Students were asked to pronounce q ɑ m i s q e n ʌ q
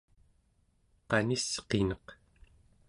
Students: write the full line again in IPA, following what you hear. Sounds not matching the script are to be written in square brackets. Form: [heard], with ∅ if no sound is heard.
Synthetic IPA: q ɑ [n] i s q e n ʌ q

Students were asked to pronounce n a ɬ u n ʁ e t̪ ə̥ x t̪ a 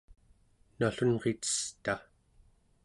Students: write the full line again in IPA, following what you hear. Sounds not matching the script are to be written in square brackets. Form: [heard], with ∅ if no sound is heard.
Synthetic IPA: n a ɬ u n ʁ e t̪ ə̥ [s] t̪ a

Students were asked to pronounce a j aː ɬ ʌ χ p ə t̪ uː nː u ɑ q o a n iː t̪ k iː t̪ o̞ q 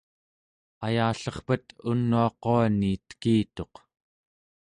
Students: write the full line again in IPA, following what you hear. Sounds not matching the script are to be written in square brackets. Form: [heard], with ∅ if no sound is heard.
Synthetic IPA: a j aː ɬ ʌ χ p ə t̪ [u] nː u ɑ q o a n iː t̪ k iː t̪ o̞ q

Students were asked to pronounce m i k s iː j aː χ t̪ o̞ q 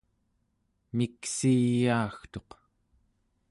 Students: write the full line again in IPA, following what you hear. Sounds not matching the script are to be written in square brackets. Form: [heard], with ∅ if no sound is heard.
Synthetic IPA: m i k s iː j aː [x] t̪ o̞ q

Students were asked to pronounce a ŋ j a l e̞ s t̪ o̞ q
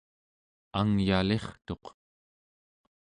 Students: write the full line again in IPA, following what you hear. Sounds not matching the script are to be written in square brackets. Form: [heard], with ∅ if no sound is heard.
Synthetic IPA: a ŋ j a l e̞ [χ] t̪ o̞ q

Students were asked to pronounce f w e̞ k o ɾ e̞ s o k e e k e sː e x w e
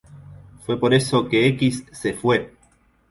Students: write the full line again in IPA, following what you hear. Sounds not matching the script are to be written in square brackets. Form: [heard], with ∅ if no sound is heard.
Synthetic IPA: f w e̞ [p] o ɾ e̞ s o k e e k [i] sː e [f] w e

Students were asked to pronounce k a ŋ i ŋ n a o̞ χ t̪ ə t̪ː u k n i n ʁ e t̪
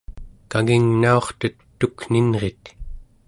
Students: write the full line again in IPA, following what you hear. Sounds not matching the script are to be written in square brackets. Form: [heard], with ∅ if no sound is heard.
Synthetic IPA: k a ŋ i ŋ n a o̞ χ t̪ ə t̪ː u k n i n ʁ e t̪

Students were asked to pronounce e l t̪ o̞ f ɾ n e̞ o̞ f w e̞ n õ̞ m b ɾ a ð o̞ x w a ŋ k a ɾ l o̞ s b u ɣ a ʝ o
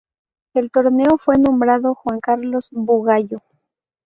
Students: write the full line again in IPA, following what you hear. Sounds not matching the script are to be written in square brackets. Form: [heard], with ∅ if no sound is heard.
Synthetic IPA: e l t̪ o̞ [∅] ɾ n e̞ o̞ f w e̞ n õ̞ m b ɾ a ð o̞ x w a ŋ k a ɾ l o̞ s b u ɣ a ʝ o

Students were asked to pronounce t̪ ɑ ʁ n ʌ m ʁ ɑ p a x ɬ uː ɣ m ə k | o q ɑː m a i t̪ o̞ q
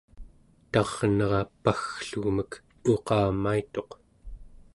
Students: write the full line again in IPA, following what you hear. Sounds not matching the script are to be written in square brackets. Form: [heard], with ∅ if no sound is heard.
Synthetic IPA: t̪ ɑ ʁ n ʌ [∅] ʁ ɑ p a x ɬ [u] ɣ m ə k | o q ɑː m a i t̪ o̞ q

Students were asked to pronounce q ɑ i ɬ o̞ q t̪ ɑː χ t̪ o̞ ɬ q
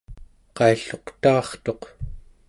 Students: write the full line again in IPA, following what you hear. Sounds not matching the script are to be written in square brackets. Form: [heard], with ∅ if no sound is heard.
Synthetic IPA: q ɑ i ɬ o̞ q t̪ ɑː χ t̪ o̞ [∅] q

